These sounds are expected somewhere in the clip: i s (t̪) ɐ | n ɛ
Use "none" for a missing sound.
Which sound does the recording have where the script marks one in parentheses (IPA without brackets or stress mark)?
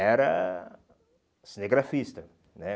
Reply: t̪